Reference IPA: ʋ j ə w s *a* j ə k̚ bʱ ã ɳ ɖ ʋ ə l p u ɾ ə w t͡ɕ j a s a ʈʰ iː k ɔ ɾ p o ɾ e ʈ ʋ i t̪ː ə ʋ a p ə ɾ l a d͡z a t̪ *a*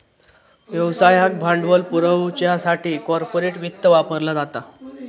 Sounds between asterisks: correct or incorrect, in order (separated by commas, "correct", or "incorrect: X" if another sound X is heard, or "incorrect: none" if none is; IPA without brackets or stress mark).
correct, correct